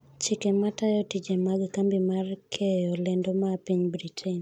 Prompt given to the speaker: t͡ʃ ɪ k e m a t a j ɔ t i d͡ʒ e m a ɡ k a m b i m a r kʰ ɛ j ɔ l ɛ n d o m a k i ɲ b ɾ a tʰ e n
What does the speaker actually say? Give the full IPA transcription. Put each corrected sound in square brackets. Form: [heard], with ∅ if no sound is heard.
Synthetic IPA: t͡ʃ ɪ k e m a t a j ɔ t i d͡ʒ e m a ɡ k a m b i m a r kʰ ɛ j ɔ l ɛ n d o m a [p] i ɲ b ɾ [i] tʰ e n